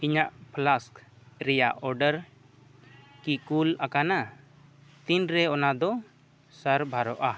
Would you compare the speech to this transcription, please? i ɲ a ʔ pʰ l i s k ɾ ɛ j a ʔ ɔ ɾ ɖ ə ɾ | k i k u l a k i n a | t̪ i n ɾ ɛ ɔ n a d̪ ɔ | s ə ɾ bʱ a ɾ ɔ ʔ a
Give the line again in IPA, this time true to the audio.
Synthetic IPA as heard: i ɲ a ʔ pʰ l a s k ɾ ɛ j a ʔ ɔ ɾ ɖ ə ɾ | k i k u l a k a n a | t̪ i n ɾ ɛ ɔ n a d̪ ɔ | s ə ɾ bʱ a ɾ ɔ ʔ a